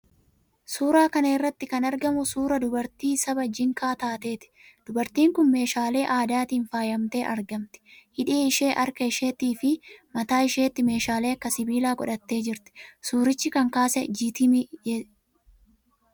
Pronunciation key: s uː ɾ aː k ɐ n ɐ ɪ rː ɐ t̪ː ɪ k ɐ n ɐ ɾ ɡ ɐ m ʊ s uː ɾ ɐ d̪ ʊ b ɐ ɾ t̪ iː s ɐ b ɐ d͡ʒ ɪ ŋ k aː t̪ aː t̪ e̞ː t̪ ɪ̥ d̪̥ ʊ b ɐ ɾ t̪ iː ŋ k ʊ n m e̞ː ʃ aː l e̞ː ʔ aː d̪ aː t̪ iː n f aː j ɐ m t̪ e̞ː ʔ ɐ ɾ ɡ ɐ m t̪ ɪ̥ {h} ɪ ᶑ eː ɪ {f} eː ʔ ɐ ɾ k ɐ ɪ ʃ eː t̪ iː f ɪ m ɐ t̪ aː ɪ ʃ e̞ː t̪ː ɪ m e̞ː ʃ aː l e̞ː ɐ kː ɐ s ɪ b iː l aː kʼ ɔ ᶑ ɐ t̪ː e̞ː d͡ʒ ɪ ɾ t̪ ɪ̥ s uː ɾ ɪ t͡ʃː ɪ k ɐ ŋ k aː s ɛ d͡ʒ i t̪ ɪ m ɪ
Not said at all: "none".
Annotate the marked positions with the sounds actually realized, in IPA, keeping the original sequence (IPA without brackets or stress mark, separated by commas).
h, ʃ